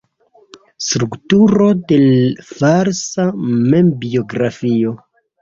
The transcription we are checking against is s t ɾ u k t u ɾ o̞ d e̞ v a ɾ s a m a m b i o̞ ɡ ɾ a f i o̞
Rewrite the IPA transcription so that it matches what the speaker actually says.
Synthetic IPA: s t ɾ u k t u ɾ o̞ d e̞ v a ɾ s a m e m b i o̞ ɡ ɾ a f i o̞